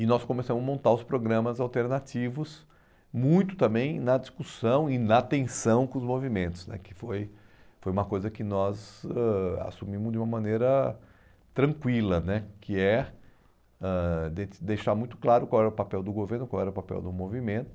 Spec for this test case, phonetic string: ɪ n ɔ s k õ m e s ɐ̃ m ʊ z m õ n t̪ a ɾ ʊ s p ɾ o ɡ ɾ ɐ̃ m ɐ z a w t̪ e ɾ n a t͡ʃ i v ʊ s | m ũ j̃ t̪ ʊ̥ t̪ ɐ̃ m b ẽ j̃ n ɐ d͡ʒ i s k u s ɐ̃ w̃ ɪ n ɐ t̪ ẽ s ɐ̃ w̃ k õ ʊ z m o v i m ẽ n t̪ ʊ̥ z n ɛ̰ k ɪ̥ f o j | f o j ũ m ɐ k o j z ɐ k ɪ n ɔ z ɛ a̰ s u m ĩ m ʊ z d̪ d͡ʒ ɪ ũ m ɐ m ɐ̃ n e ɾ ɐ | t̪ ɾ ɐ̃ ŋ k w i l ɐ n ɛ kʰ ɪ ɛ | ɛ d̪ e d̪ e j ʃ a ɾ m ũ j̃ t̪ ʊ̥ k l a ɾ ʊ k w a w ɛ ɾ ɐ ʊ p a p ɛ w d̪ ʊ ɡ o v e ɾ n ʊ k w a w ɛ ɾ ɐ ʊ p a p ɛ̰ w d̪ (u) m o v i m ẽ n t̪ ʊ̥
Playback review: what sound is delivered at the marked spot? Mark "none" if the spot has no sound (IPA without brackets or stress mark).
ʊ